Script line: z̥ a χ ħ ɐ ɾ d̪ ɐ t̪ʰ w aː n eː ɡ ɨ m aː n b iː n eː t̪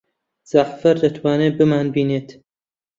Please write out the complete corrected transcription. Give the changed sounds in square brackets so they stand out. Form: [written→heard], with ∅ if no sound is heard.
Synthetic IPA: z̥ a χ [ħ→f] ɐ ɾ d̪ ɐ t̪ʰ w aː n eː [ɡ→b] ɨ m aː n b iː n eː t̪